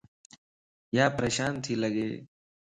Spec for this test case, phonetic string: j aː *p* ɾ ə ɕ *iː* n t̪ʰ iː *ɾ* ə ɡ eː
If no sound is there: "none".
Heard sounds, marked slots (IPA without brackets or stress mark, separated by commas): p, aː, l